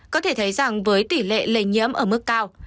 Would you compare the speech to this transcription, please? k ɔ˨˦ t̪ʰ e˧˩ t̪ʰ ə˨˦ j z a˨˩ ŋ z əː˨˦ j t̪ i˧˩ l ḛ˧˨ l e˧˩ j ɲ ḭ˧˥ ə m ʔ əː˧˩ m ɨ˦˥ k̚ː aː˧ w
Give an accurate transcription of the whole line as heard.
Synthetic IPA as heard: k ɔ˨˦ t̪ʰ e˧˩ t̪ʰ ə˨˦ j z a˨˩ ŋ v əː˨˦ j t̪ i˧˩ l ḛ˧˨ l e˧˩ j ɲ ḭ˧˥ ə m ʔ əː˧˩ m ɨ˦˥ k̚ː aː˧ w